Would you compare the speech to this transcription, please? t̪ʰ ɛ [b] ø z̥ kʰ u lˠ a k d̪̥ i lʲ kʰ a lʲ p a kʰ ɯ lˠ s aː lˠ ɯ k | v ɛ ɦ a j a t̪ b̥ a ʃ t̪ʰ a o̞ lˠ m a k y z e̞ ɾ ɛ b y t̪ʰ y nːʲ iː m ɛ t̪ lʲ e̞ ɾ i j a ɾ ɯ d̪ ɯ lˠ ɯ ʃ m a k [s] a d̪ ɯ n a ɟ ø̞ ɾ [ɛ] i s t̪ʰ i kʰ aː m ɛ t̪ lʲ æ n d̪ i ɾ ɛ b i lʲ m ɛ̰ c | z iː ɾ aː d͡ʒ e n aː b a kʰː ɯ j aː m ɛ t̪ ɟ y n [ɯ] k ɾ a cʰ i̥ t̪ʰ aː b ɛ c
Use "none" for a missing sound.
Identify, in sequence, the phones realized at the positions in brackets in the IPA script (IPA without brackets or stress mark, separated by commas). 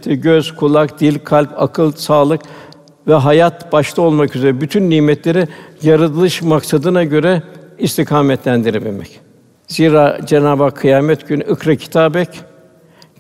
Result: ɟ, s, ɛ, ɯ